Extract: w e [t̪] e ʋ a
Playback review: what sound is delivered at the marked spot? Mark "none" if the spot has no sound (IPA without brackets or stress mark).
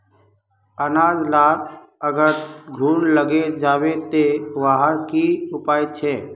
t̪